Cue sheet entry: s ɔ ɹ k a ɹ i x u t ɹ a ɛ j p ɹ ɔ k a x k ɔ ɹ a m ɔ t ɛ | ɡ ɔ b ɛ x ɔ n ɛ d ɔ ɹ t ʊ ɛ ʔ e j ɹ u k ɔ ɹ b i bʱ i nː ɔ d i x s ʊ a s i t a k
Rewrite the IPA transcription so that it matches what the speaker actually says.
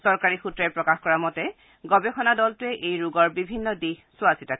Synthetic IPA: s ɔ ɹ k a ɹ i x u t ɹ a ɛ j p ɹ ɔ k a x k ɔ ɹ a m ɔ t ɛ | ɡ ɔ b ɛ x ɔ n a d ɔ l t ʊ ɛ ʔ e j ɹ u ɡ ɔ ɹ b i bʱ i nː ɔ d i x s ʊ a s i t a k